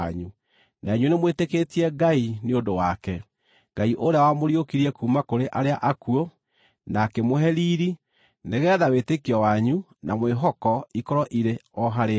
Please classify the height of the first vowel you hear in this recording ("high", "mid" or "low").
high